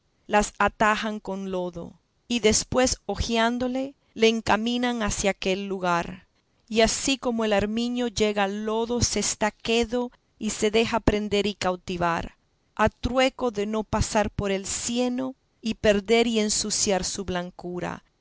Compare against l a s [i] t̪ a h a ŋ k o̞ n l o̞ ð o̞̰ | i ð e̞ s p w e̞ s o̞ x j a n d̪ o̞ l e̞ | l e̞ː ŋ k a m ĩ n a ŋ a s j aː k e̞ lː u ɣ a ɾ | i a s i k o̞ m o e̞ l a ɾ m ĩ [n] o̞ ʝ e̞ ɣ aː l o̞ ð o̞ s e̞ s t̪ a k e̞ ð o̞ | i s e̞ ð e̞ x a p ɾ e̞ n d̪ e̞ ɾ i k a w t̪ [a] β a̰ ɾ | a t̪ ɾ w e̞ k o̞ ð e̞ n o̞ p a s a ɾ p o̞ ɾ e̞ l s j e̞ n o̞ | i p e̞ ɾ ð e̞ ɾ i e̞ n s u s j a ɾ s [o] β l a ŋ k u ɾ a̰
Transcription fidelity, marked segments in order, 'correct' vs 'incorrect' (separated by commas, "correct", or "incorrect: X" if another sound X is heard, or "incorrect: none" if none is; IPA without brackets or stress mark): incorrect: a, incorrect: ɲ, incorrect: i, incorrect: u